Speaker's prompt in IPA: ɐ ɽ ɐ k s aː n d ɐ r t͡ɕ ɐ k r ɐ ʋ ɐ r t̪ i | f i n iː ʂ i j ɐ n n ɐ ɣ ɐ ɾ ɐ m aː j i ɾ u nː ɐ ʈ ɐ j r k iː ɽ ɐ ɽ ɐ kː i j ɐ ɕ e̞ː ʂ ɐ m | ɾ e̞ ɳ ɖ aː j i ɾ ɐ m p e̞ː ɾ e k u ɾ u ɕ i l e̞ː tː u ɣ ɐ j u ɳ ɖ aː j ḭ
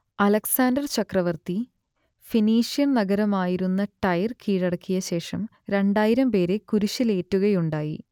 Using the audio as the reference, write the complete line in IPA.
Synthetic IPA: ɐ l ɐ k s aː n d ɐ r t͡ɕ ɐ k r ɐ ʋ ɐ r t̪ i | f i n iː ʂ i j ɐ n n ɐ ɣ ɐ ɾ ɐ m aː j i ɾ u nː ɐ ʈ ɐ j r k iː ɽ ɐ ɽ ɐ kː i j ɐ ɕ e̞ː ʂ ɐ m | ɾ e̞ ɳ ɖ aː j i ɾ ɐ m p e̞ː ɾ e k u ɾ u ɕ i l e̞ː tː u ɣ ɐ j u ɳ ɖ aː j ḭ